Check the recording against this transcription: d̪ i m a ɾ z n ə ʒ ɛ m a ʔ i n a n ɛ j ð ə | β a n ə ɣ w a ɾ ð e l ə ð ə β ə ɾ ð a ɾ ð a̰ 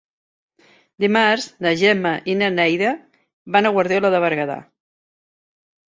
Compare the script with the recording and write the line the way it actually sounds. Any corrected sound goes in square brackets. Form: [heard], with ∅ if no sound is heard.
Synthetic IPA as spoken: d̪ i m a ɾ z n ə ʒ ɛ m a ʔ i n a n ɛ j ð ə | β a n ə ɣ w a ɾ ð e l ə ð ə β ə ɾ [ɣ] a [∅] ð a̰

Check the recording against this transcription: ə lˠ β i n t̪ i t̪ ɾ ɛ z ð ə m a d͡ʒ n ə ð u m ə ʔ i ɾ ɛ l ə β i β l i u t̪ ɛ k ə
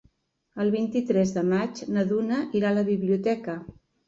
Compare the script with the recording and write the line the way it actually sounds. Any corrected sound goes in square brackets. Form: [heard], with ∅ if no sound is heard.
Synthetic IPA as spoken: ə lˠ β i n t̪ i t̪ ɾ ɛ z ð ə m a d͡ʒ n ə ð u [n] ə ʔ i ɾ [a] l ə β i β l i u t̪ ɛ k ə

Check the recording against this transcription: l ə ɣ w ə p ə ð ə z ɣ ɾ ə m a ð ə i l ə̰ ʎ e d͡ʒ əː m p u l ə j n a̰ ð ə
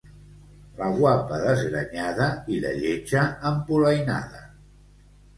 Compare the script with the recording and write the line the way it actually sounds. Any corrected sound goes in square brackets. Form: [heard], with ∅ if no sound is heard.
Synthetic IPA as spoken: l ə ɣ w [a] p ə ð ə z ɣ ɾ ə [ɲ] a ð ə i l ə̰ ʎ e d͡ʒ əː m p u l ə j n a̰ ð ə

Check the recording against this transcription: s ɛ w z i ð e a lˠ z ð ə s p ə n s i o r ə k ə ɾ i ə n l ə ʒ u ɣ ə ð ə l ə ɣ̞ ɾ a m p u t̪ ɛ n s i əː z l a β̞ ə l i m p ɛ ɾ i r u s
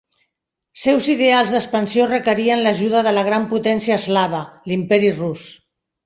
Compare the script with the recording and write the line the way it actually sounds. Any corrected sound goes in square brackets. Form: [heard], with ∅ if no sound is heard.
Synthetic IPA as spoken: s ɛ w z i ð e a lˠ z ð ə s p ə n s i o r ə k ə ɾ i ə n l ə ʒ u [ð] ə ð ə l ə ɣ̞ ɾ a m p u t̪ ɛ n s i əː z l a β̞ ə l i m p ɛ ɾ i r u s

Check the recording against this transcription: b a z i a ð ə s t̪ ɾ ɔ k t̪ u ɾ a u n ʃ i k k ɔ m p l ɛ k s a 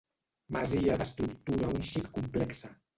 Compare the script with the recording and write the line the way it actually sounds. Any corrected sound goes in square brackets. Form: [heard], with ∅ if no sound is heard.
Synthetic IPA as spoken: [m] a z i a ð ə s t̪ ɾ [u] k t̪ u ɾ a u n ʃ i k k [u] m p l ɛ k s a

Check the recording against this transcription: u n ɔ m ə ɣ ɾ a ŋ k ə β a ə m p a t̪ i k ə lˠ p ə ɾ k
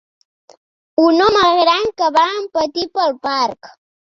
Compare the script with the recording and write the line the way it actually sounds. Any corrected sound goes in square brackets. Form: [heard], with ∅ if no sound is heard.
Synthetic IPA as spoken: u n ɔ m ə ɣ ɾ a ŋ k ə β a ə m p [ə] t̪ i [p] ə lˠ p [a] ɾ k

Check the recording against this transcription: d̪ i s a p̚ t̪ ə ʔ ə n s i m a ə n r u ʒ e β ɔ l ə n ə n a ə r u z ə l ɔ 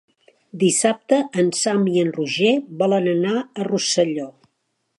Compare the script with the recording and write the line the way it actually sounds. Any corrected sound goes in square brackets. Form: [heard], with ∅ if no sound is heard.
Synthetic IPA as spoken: d̪ i s a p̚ t̪ ə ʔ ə n s [a] m [i] ə n r u ʒ e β ɔ l ə n ə n a ə r u [s] ə [ʎ] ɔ

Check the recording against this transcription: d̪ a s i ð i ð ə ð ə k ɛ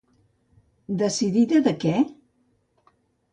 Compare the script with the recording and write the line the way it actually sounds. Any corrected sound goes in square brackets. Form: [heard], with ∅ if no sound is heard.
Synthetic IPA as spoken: d̪ [ə] s i ð i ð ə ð ə k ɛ

